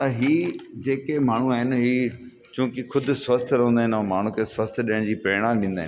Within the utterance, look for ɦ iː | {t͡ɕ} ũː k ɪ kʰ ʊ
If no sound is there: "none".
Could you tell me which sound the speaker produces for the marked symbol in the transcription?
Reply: t͡ɕ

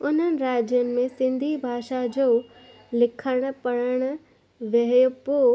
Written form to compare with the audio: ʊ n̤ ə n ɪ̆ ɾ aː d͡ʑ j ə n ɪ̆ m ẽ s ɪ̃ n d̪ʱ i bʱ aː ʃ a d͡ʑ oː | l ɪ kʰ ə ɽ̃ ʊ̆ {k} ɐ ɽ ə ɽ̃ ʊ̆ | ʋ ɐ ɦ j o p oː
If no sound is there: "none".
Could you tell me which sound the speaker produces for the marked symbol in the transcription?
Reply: p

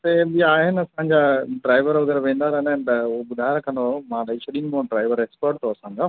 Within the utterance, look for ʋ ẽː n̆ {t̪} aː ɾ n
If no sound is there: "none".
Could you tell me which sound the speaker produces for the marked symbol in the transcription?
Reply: d̪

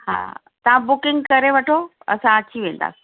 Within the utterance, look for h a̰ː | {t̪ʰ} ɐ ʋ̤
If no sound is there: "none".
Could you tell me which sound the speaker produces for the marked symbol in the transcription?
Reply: t̪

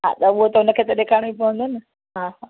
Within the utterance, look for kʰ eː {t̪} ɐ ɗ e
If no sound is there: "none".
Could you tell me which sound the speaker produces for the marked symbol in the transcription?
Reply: t̪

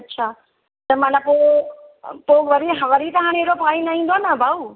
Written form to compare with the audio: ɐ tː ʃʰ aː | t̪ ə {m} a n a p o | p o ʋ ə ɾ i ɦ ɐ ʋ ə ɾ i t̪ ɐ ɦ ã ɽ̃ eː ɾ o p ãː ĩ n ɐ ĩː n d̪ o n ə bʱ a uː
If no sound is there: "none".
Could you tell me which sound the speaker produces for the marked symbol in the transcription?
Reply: m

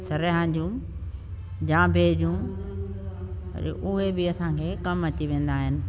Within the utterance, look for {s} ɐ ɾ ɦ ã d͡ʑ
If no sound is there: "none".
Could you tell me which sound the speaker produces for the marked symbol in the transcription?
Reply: s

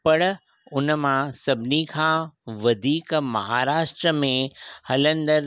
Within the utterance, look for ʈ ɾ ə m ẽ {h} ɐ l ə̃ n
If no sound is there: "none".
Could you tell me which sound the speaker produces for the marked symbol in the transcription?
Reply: h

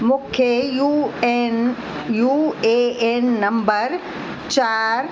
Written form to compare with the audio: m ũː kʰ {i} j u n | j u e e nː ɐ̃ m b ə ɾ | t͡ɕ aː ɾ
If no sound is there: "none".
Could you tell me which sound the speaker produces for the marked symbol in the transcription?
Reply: e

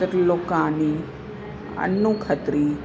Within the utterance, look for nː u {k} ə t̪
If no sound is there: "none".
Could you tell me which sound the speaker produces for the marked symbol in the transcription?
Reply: kʰ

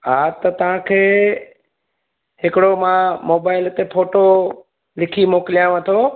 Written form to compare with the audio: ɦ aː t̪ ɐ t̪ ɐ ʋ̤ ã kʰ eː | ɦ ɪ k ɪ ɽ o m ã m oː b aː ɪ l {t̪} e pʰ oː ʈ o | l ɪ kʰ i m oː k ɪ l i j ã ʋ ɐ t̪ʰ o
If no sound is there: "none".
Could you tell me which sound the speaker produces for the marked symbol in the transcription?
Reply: t̪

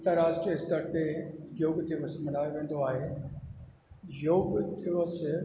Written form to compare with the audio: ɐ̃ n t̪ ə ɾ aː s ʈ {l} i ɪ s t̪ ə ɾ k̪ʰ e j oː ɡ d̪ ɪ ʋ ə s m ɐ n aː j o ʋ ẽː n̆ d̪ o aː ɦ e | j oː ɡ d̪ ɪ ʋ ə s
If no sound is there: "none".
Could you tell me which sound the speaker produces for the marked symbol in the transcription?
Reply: ɾ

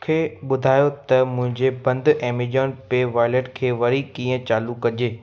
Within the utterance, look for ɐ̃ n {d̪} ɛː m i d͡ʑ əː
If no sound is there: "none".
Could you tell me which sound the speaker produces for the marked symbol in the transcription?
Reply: d̪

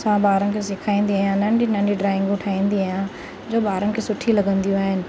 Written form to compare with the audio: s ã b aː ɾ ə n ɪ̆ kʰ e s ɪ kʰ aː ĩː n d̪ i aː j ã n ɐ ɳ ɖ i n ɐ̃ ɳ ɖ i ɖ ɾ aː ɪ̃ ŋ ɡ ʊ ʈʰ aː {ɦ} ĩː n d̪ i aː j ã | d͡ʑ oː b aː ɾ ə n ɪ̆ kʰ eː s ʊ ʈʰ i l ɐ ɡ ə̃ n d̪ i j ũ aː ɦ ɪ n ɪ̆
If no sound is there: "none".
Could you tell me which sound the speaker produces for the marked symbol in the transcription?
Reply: none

